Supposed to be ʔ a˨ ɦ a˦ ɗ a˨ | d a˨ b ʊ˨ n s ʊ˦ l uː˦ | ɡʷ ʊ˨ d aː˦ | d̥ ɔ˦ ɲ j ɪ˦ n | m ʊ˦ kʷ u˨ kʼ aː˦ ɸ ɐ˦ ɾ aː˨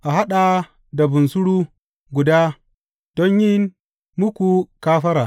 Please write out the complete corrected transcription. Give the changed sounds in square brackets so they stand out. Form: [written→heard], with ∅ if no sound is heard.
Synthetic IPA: ʔ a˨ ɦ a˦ ɗ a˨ | d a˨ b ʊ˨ n s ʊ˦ [l→ɽ] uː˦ | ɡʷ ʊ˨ d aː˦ | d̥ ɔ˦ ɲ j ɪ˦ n | m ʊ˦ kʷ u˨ [kʼ→k] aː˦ ɸ ɐ˦ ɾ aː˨

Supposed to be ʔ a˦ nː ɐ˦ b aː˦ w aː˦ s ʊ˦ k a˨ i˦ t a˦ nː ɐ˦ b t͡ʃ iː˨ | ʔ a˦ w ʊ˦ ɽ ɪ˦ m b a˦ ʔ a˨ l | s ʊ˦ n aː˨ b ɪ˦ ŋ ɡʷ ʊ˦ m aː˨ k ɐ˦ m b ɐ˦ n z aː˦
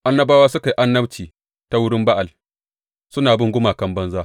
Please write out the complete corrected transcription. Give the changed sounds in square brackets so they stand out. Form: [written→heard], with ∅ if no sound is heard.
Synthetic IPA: ʔ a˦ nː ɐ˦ b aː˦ w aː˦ s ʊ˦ k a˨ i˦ [t→ʔ] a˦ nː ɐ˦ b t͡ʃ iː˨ | [ʔ→t] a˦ w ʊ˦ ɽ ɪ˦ m b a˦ ʔ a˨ l | s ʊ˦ n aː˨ b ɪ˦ ŋ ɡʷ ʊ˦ m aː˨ k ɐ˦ m b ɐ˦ n z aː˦

